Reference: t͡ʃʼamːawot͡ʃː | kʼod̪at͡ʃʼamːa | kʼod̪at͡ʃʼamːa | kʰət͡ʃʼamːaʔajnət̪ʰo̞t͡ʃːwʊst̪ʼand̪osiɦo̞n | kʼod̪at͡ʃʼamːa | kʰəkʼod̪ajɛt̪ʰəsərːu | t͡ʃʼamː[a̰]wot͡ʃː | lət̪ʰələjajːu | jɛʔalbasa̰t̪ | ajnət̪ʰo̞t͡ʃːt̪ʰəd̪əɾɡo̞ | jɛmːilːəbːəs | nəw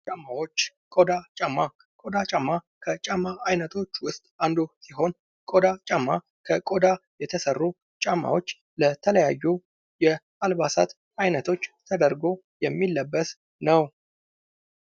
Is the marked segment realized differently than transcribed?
no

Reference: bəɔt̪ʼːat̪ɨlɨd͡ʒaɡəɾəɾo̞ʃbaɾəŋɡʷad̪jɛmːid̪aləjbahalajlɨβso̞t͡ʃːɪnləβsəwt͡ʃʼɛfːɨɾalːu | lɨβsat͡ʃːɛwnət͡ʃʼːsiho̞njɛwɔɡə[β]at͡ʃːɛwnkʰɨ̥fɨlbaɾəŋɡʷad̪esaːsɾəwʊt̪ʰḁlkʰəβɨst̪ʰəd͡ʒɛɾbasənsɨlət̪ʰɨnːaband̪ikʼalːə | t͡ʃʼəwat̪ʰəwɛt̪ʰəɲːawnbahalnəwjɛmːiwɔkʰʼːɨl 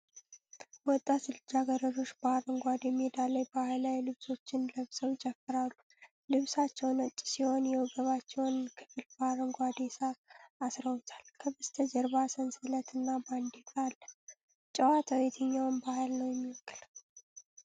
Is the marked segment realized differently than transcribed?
no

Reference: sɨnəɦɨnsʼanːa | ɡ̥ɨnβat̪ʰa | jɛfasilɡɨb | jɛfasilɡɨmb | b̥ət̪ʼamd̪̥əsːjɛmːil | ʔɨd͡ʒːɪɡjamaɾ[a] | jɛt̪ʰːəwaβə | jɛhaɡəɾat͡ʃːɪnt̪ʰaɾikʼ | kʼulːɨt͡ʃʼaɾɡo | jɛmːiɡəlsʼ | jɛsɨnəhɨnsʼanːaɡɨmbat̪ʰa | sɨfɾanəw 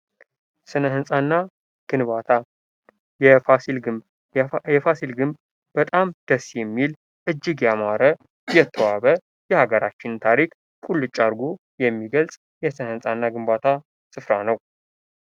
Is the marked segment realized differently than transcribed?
yes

